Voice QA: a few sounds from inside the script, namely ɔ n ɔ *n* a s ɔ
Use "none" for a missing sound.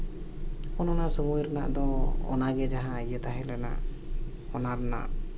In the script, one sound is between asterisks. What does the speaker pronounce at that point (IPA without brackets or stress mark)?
n